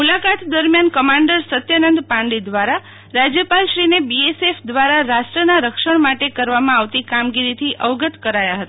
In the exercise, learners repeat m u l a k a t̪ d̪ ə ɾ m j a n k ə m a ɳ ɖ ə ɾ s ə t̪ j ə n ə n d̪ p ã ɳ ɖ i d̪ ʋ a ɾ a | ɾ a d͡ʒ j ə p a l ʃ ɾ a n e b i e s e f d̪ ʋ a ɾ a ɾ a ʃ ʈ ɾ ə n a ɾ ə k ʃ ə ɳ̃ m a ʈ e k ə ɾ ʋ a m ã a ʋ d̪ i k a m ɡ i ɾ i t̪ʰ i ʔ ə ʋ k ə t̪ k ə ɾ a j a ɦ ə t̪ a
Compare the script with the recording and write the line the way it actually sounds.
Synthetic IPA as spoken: m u l a k a t̪ d̪ ə ɾ m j a n k ə m a ɳ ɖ ə ɾ s ə t̪ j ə n ə n d̪ p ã ɳ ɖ i d̪ ʋ a ɾ a | ɾ a d͡ʒ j ə p a l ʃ ɾ i n e b i e s e f d̪ ʋ a ɾ a ɾ a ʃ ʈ ɾ ə n a ɾ ə k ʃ ə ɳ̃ m a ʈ e k ə ɾ ʋ a m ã a ʋ t̪ i k a m ɡ i ɾ i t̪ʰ i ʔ ə ʋ ɡ ə t̪ k ə ɾ a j a ɦ ə t̪ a